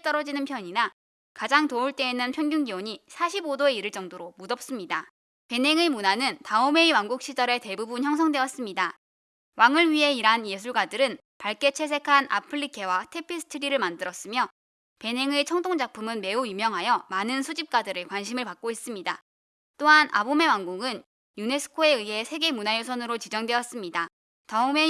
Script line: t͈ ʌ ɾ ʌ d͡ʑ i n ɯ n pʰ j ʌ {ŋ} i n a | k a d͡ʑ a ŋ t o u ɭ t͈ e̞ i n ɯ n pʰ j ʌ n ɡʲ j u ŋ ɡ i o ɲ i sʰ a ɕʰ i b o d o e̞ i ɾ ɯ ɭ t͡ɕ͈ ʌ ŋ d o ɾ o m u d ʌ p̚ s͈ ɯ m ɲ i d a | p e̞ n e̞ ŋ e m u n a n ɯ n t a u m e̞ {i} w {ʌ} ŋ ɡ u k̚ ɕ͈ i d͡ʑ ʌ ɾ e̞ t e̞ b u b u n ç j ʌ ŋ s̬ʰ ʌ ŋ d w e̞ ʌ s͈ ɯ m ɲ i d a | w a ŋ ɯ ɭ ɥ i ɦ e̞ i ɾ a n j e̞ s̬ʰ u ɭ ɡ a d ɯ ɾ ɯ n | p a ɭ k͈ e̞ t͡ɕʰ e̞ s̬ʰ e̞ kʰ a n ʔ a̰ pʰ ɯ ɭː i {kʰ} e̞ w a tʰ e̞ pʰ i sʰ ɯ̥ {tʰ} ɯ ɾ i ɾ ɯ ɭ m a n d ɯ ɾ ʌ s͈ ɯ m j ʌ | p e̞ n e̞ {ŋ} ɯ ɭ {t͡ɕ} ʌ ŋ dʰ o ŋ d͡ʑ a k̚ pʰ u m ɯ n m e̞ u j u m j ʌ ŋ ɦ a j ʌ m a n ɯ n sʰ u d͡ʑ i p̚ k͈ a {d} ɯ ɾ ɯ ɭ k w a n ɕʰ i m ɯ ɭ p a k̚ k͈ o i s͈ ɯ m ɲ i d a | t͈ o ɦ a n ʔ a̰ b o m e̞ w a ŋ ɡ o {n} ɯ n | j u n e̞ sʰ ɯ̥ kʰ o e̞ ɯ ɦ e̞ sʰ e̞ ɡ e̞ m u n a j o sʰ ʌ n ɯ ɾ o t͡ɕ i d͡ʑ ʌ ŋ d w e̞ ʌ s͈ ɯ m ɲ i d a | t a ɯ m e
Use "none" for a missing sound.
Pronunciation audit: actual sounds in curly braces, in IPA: ɲ, i, a, kʰ, tʰ, ŋ, t͡ɕʰ, d, ŋ

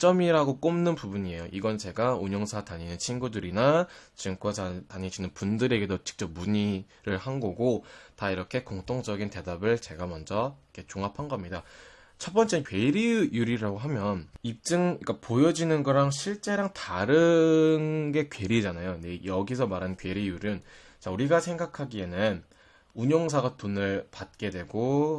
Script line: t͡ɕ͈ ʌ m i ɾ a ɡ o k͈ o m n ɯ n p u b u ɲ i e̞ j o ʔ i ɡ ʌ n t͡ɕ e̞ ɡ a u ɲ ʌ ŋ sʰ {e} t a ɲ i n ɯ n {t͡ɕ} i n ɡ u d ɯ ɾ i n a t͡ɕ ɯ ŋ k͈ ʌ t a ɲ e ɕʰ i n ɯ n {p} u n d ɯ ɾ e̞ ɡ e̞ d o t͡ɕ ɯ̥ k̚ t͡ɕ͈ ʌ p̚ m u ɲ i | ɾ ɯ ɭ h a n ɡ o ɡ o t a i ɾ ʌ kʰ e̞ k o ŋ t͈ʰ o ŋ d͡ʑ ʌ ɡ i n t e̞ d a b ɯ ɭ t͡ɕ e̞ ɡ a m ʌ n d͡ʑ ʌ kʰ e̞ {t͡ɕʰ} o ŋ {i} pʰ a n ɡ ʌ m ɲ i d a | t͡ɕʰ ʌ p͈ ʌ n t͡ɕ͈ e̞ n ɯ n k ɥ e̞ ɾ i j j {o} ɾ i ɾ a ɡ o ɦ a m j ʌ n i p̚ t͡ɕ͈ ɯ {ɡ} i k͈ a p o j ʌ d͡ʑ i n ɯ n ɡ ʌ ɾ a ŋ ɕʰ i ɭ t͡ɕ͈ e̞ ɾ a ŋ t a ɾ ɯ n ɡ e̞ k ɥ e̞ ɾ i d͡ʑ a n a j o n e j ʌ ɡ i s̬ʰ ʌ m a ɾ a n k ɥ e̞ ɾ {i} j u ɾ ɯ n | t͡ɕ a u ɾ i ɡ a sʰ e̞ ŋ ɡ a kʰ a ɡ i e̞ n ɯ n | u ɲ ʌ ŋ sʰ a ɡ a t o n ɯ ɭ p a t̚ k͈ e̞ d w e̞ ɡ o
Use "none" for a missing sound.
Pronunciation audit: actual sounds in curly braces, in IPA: a, t͡ɕʰ, p, t͡ɕ, a, u, ŋ, i

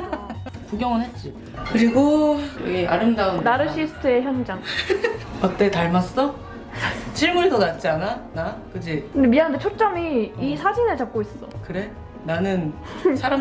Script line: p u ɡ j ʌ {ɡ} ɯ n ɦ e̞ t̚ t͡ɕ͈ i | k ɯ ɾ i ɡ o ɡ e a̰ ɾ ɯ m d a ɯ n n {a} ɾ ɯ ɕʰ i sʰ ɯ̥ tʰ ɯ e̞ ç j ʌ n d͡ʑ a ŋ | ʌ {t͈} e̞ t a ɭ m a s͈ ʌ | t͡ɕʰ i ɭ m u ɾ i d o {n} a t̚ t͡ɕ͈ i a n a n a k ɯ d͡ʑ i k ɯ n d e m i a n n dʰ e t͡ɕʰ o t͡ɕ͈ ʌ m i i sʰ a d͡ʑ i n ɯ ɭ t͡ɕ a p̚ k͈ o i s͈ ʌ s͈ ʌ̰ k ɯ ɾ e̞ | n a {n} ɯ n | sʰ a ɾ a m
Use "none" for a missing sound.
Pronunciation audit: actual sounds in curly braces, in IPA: ŋ, a, t͈, n, n

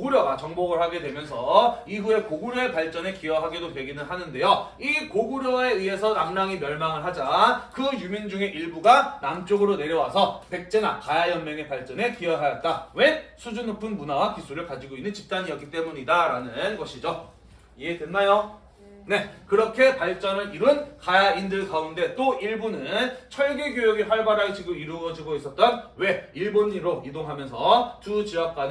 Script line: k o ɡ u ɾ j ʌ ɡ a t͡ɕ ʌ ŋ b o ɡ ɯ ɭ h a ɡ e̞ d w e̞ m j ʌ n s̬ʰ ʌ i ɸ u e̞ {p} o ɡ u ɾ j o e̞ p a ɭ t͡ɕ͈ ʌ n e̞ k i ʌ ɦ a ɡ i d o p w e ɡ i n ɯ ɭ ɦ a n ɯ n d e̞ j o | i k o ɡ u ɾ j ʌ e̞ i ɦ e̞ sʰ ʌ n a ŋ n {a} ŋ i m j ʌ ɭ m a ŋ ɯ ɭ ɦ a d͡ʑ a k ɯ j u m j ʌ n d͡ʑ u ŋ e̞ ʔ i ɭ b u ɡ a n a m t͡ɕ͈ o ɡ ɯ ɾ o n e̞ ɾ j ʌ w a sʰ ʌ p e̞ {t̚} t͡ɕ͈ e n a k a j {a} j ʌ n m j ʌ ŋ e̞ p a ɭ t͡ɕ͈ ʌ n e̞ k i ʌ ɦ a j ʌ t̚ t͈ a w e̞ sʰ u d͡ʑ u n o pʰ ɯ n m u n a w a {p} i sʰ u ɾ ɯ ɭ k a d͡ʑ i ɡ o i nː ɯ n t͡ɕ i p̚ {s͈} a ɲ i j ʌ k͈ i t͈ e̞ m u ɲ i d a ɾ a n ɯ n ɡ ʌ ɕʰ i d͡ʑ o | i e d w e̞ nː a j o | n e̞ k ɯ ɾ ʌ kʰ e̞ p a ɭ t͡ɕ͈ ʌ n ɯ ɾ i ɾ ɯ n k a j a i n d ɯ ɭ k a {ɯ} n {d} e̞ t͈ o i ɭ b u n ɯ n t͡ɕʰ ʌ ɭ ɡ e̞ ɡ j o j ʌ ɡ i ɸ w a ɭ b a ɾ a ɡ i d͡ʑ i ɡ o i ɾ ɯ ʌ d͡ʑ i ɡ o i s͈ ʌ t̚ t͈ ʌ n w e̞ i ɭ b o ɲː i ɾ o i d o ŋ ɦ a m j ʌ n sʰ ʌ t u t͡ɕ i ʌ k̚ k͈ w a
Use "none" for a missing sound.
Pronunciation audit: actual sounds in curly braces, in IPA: k, a, k̚, a, k, t͈, u, d

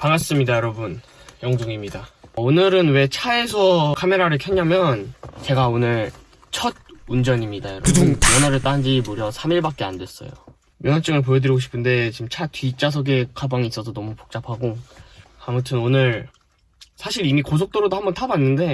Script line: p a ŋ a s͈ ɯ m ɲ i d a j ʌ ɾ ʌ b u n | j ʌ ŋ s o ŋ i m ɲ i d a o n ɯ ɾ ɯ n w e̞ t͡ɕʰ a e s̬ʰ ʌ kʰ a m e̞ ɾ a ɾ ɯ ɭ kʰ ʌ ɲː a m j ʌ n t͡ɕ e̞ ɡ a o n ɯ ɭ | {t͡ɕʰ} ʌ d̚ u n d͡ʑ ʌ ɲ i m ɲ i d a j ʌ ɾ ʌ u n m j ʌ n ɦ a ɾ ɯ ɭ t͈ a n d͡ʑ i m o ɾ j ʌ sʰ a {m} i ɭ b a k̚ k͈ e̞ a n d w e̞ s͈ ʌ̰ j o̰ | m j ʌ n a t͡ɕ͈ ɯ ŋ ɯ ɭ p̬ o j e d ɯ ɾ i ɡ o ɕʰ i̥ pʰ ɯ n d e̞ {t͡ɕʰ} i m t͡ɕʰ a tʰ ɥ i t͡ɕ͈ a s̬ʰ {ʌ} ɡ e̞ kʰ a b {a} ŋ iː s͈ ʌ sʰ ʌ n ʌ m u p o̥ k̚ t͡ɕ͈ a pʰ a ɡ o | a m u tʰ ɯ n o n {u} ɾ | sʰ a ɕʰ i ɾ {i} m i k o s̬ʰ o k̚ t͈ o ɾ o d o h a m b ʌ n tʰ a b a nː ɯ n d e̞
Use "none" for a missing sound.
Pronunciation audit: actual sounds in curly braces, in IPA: t͡ɕʰ, m, t͡ɕ, ʌ, a, ɯ, i

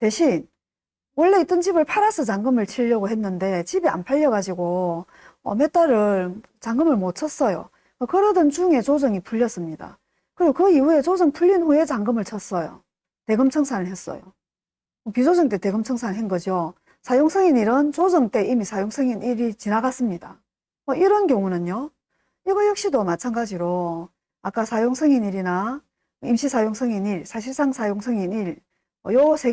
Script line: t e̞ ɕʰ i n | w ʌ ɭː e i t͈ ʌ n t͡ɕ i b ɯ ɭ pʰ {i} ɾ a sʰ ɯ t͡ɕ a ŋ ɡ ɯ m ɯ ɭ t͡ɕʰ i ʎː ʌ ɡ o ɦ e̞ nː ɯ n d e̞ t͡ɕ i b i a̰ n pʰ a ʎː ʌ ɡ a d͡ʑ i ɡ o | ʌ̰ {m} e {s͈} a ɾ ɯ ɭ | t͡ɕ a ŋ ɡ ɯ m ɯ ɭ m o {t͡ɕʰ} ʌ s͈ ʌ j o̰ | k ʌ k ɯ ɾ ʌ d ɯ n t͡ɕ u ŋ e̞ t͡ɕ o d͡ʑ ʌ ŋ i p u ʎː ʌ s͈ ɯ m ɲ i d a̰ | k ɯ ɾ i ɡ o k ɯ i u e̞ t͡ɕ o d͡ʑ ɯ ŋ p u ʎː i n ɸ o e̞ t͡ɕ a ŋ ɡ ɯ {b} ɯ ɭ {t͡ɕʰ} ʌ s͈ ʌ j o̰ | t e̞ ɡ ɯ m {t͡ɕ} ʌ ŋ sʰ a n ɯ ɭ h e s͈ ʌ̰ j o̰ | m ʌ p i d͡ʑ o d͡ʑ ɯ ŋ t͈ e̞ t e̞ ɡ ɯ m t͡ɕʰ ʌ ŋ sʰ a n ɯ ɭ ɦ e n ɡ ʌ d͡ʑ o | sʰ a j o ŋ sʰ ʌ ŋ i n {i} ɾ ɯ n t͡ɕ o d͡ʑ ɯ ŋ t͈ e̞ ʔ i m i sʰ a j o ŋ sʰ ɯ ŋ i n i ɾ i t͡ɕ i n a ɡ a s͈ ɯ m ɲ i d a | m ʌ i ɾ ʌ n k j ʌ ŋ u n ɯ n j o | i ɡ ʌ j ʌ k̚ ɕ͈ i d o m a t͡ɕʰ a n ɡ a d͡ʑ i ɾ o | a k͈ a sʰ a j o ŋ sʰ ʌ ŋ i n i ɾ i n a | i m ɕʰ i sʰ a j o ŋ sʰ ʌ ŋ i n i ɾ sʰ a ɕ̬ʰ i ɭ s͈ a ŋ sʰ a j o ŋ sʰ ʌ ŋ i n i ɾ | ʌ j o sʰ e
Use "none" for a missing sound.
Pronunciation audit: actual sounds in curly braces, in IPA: a, m, t͈, t͡ɕʰ, m, t͡ɕʰ, t͡ɕʰ, i

